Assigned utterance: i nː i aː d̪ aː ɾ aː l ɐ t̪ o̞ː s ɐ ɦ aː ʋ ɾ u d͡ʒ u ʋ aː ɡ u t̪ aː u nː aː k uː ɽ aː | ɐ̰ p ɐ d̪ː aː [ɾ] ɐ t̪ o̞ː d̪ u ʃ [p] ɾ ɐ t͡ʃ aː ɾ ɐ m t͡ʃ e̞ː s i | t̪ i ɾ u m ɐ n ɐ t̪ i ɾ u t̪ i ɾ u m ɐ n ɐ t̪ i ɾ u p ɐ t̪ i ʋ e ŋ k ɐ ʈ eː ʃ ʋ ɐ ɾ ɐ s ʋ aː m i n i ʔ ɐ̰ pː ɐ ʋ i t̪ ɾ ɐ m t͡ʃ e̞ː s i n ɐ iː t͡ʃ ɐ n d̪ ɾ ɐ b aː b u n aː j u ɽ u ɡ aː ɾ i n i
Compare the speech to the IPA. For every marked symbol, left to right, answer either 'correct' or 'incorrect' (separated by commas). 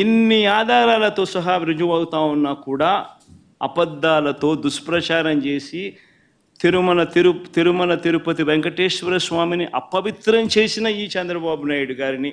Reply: incorrect, correct